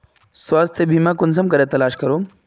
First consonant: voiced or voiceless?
voiceless